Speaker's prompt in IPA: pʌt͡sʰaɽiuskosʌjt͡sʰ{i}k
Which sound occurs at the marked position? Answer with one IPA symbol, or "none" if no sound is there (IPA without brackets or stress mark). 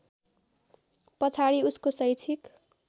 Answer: i